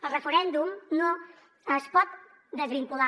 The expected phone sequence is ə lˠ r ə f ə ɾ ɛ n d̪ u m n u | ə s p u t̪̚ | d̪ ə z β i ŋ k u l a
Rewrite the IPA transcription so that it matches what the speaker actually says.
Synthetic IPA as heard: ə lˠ r ə f ə ɾ ɛ n d̪ u m n o | ə s p ɔ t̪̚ | d̪ ə z β i ŋ k u l a